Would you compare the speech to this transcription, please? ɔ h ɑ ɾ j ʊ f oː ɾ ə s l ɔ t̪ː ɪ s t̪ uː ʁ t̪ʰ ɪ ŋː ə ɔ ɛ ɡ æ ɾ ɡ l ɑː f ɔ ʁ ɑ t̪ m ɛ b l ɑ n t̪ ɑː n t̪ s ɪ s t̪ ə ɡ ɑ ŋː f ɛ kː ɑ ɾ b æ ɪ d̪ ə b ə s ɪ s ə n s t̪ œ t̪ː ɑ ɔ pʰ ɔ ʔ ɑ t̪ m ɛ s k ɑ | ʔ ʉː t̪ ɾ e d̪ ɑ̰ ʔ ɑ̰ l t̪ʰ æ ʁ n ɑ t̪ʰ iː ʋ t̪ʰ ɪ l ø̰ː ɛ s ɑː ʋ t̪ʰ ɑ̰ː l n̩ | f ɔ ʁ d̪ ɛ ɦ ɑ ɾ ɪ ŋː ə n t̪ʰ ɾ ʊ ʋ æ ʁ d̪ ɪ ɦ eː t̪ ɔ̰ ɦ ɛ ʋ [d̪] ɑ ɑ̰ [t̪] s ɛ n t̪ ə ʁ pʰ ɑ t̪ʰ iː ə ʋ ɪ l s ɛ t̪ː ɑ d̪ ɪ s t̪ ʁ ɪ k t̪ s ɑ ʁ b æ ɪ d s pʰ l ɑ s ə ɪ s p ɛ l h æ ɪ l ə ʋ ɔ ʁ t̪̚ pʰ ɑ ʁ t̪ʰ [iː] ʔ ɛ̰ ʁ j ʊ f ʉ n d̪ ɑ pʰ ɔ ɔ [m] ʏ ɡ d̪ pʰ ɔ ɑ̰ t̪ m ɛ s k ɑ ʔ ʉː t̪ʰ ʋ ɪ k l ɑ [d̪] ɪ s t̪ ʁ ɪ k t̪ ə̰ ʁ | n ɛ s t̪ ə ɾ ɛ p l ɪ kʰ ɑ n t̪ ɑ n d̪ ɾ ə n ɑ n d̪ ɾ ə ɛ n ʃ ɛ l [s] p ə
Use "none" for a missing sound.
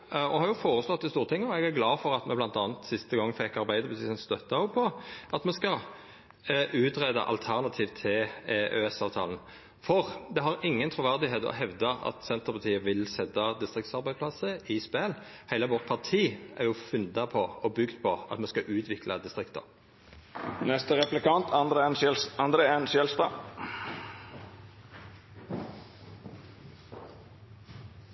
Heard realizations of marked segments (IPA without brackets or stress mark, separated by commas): d̪, t̪, iː, b, d̪, s